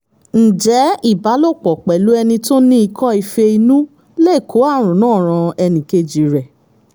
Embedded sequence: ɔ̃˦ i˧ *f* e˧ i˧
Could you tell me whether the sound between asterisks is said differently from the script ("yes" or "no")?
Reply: no